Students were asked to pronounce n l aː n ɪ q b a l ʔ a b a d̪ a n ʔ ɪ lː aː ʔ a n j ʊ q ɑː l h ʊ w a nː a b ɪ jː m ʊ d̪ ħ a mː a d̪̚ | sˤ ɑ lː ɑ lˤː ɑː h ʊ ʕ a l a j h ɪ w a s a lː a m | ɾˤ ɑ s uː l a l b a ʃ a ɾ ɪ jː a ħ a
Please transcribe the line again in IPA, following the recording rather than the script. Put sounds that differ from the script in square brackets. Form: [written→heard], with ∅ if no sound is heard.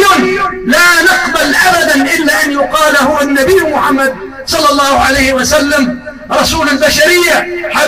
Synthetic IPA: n l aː n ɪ q b a l ʔ a b a d̪ a n ʔ ɪ lː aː ʔ a n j ʊ q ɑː l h ʊ w a nː a b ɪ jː m ʊ [d̪→∅] ħ a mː a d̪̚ | sˤ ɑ lː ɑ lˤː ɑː h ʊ ʕ a l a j h ɪ w a s a lː a m | ɾˤ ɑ s uː l a l b a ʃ a ɾ ɪ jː a ħ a